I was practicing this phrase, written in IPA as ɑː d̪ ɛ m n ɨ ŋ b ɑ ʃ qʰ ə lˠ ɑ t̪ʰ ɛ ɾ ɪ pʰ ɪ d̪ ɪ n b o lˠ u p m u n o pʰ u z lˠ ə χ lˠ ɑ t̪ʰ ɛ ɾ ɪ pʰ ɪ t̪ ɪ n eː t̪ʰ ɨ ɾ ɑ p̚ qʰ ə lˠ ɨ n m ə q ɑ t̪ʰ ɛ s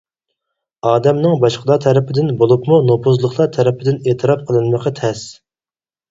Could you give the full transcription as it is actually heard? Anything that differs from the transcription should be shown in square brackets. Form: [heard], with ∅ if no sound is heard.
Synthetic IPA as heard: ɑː d̪ ɛ m n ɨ ŋ b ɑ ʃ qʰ ə lˠ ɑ t̪ʰ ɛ ɾ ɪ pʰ ɪ d̪ ɪ n b o lˠ u p m u n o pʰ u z lˠ ə χ lˠ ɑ t̪ʰ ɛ ɾ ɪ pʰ ɪ [d̪] ɪ n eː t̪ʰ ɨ ɾ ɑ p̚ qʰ ə lˠ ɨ n m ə q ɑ t̪ʰ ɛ s